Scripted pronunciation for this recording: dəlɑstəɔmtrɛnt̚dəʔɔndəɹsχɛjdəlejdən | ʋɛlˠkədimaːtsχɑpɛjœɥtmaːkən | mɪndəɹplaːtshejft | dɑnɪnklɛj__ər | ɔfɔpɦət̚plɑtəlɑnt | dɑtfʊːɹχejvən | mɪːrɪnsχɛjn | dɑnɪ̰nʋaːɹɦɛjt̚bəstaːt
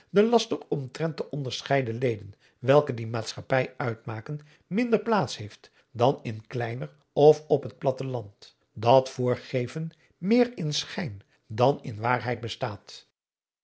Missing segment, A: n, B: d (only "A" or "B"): A